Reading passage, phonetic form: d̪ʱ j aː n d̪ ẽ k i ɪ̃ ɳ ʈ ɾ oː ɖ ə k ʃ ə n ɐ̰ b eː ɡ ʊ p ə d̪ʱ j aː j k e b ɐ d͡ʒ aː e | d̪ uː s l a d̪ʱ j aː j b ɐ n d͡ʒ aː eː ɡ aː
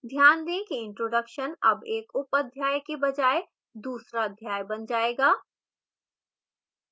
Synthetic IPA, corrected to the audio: d̪ʱ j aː n d̪ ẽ k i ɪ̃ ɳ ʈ ɾ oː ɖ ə k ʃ ə n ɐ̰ b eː k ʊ p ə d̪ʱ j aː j k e b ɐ d͡ʒ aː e | d̪ uː s ɾ a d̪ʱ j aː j b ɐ n d͡ʒ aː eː ɡ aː